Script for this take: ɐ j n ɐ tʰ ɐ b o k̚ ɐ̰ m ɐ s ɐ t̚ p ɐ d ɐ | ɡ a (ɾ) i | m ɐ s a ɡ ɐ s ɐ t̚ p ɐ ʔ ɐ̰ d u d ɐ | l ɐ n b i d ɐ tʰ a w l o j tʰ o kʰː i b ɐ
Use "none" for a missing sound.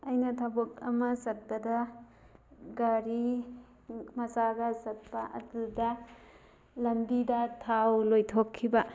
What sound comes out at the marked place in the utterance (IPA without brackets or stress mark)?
ɾ